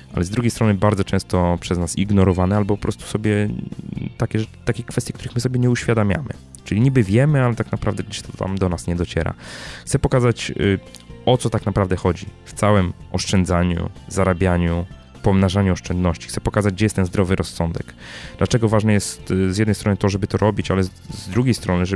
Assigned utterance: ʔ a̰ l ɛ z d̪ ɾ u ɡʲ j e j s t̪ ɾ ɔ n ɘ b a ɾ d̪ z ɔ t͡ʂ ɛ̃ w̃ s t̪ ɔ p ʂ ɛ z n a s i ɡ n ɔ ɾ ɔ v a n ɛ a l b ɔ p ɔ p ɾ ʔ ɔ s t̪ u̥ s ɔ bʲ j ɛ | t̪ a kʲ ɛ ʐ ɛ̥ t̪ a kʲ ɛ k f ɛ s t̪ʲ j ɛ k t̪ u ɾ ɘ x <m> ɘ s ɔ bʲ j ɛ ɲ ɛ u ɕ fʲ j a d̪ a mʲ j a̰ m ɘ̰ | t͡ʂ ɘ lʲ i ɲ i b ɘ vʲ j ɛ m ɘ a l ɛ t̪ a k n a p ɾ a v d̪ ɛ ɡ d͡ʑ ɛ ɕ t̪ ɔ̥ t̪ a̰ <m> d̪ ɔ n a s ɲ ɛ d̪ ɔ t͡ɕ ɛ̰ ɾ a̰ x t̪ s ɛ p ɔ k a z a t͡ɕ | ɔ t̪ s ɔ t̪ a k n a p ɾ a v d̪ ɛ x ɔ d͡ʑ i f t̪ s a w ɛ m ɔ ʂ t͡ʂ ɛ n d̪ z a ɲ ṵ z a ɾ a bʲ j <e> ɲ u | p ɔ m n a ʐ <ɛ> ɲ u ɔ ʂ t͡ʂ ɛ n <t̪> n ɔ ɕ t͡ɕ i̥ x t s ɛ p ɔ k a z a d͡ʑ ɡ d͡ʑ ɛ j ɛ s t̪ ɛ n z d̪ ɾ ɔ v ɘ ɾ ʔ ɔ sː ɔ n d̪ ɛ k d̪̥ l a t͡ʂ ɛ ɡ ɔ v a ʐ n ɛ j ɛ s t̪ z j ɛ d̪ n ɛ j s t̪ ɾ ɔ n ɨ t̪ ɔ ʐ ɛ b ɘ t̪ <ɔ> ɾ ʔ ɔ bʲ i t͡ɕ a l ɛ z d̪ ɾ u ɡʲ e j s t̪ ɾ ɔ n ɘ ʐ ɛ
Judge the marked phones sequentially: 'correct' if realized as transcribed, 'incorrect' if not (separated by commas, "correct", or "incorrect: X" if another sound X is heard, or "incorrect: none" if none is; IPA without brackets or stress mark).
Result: correct, correct, incorrect: a, incorrect: a, incorrect: d̪, correct